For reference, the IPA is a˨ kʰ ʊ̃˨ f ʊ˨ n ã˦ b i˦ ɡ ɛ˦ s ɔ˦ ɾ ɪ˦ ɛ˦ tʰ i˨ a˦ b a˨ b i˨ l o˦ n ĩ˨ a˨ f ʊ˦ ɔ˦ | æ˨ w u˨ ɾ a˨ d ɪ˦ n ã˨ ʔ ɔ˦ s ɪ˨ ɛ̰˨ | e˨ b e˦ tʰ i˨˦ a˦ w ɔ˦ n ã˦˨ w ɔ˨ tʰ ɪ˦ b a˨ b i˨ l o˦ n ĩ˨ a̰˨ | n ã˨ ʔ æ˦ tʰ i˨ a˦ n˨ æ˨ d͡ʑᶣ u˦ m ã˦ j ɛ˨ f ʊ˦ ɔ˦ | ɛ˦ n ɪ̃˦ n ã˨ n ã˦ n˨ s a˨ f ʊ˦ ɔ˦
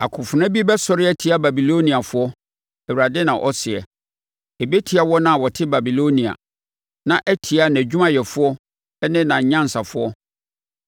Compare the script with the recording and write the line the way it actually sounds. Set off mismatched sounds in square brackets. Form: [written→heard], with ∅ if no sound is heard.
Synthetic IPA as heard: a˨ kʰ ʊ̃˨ f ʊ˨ n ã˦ b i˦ [ɡ→b] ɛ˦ s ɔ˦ ɾ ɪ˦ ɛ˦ tʰ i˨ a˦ b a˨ b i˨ l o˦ n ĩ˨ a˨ f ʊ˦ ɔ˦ | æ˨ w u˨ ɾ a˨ d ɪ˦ n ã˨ ʔ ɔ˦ s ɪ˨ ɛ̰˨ | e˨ b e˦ tʰ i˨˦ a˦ w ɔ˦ n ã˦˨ w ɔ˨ tʰ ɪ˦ b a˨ b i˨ l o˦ n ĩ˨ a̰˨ | n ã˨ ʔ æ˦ tʰ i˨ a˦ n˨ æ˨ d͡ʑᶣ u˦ m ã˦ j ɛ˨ f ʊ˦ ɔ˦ | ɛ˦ n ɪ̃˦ n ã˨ [n→ɲ] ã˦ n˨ s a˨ f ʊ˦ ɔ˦